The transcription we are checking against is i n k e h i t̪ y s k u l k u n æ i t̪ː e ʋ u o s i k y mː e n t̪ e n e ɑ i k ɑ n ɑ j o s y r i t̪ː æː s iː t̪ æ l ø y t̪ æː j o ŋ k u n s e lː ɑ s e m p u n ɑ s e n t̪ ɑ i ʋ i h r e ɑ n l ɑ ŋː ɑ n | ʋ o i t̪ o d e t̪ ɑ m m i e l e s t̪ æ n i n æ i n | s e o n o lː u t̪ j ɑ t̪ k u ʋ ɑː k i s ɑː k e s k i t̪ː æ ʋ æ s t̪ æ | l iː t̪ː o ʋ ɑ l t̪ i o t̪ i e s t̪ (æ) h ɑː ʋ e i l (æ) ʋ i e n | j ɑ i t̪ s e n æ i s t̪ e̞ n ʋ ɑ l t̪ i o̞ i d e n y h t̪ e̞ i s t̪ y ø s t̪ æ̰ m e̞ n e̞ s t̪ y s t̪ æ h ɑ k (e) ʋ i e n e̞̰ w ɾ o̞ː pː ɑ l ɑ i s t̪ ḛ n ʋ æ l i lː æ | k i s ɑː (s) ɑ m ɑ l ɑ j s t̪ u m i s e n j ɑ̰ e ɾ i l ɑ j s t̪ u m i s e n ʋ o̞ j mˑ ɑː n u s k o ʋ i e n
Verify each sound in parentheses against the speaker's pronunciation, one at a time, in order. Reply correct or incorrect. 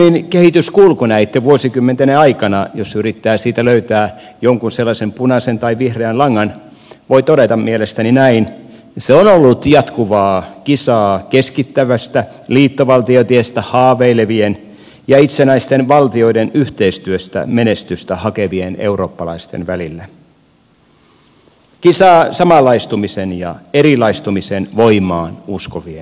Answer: correct, incorrect: e, correct, correct

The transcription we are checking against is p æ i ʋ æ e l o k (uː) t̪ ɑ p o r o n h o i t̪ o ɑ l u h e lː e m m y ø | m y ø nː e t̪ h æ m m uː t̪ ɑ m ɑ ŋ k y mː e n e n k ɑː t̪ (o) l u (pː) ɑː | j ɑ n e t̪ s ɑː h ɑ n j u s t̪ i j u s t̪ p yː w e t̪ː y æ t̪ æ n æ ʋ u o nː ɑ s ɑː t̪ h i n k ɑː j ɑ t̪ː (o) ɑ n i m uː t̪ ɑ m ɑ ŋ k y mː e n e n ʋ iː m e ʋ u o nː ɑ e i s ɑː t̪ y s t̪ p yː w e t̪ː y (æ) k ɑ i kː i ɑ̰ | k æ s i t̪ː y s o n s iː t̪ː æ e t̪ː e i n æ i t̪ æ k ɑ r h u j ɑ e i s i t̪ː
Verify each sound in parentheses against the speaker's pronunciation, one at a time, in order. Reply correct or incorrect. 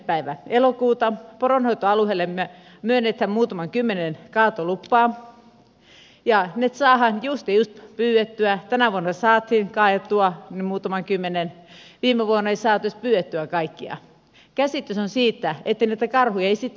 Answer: correct, correct, correct, incorrect: u, correct

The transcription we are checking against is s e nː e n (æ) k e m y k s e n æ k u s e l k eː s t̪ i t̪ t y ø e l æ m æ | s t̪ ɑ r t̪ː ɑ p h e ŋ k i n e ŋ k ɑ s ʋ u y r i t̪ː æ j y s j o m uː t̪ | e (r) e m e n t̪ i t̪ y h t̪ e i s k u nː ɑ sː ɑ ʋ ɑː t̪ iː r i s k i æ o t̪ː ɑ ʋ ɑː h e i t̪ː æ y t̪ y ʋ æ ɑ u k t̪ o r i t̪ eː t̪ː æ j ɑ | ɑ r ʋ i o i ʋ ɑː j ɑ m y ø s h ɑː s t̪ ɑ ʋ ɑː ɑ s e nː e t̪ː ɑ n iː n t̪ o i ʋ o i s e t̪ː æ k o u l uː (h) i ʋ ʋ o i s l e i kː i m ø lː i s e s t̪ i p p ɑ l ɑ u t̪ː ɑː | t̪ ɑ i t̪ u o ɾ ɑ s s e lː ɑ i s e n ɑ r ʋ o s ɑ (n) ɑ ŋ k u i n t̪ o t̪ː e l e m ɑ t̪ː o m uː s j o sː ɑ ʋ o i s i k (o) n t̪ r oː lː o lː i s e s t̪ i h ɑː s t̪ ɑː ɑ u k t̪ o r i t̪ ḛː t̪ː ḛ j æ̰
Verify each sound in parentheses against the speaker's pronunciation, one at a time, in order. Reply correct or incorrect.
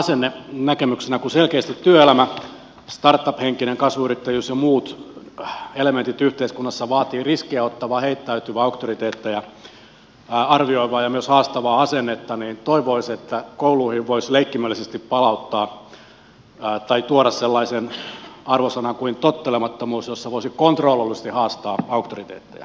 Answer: correct, incorrect: l, correct, correct, correct

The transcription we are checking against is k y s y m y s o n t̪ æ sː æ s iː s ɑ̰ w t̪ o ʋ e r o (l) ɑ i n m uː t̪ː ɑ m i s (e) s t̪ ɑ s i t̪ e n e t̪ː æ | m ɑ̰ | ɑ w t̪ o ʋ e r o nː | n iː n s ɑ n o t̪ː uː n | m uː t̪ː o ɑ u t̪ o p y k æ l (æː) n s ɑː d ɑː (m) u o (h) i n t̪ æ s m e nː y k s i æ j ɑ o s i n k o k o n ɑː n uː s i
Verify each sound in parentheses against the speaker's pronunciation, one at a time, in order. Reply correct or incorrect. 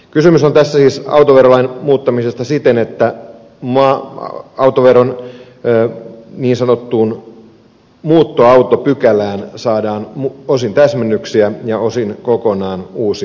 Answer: correct, correct, correct, incorrect: n, incorrect: s

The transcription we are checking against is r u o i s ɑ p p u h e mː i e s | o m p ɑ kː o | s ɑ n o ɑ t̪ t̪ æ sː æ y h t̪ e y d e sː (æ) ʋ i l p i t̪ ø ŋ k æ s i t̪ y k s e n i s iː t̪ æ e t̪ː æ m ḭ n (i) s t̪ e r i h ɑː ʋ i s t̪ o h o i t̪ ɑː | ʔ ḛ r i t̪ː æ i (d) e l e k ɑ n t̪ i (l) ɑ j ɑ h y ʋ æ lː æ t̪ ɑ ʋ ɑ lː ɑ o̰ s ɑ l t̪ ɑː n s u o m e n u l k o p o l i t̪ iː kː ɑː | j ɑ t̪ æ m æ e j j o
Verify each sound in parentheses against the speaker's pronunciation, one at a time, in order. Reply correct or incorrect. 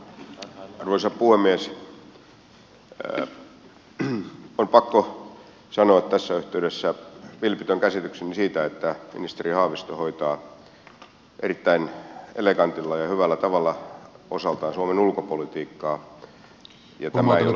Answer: correct, correct, incorrect: n, incorrect: lː

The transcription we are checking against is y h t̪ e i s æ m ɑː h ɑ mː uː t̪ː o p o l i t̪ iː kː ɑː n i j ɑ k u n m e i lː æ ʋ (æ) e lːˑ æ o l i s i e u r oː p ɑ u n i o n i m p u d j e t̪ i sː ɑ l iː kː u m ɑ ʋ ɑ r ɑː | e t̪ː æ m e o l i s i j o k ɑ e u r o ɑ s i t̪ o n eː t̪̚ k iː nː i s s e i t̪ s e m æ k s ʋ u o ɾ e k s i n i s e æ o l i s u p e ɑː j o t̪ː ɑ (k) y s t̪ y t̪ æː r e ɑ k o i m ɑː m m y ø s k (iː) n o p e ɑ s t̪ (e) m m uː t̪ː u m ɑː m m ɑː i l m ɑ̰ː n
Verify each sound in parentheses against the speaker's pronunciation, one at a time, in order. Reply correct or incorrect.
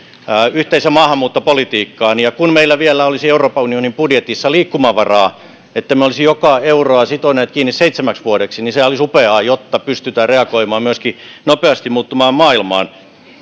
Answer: incorrect: i, incorrect: p, incorrect: i, incorrect: i

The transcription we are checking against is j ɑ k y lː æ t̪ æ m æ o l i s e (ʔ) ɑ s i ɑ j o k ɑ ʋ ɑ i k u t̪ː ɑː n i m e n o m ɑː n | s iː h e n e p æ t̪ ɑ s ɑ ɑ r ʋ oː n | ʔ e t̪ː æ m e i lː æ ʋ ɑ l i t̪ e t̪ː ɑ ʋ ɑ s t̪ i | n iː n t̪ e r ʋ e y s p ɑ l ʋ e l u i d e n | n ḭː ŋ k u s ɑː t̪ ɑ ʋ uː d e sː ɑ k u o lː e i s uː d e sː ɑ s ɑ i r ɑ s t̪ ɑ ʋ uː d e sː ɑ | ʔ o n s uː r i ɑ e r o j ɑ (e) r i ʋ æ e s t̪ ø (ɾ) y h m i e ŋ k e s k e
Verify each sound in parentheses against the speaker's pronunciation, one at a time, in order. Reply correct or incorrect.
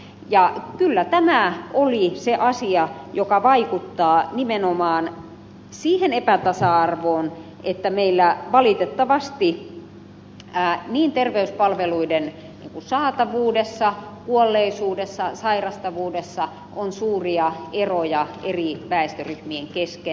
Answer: correct, correct, incorrect: r

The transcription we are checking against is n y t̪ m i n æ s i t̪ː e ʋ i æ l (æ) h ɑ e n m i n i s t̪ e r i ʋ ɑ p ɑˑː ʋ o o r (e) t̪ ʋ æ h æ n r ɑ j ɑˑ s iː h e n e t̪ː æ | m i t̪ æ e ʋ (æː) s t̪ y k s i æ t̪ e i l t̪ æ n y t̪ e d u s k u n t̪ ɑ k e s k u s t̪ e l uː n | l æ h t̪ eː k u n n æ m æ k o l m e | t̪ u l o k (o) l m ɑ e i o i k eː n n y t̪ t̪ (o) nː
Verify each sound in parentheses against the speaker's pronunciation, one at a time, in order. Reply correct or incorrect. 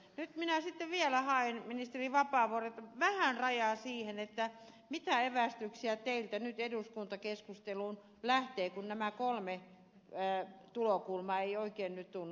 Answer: correct, correct, incorrect: æ, incorrect: u, incorrect: u

